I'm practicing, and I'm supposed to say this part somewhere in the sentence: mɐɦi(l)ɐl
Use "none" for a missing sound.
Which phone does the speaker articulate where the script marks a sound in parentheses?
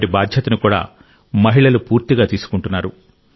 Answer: ɭ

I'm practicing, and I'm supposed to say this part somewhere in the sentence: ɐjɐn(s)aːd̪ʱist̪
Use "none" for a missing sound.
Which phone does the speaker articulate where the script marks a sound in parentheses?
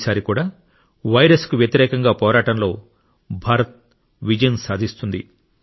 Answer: s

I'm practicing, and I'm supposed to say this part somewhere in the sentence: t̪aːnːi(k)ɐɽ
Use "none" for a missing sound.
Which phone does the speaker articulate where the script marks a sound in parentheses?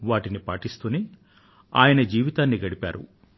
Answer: ɡ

